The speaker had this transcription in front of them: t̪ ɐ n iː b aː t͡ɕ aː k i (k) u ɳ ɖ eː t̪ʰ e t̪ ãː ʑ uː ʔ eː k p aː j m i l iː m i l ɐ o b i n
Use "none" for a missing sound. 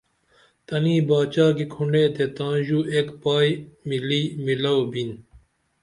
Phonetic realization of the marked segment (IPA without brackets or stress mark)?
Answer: kʰ